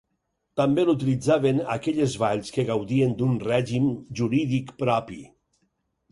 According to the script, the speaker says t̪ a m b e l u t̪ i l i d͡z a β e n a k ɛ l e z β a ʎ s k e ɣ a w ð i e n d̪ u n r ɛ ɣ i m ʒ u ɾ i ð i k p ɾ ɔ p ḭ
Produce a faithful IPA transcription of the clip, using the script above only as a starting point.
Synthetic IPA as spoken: t̪ a m b e l u t̪ i l i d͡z a β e n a k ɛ ʎ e z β a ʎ s k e ɣ a w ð i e n d̪ u n r ɛ ʒ i m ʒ u ɾ i ð i k p ɾ ɔ p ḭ